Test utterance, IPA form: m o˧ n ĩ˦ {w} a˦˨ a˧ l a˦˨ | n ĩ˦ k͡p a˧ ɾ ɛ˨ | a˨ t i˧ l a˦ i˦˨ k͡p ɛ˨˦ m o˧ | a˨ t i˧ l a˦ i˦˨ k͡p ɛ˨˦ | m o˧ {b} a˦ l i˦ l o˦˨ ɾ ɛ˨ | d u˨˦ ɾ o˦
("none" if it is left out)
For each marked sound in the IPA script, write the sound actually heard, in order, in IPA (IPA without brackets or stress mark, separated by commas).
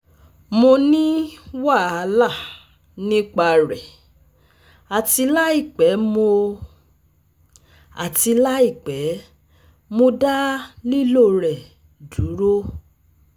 w, d